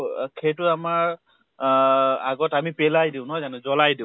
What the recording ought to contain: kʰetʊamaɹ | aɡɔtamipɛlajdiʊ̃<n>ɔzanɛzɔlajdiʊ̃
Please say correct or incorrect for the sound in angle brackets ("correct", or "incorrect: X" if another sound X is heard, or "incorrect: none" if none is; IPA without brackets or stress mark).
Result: correct